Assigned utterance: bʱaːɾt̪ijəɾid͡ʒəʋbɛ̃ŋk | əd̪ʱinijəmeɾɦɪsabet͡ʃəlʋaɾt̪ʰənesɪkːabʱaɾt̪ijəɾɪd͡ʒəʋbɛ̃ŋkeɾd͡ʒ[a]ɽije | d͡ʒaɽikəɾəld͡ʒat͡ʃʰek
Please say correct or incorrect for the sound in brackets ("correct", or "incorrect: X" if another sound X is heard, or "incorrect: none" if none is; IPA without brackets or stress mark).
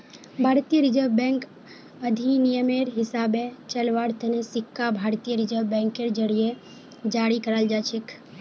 incorrect: ə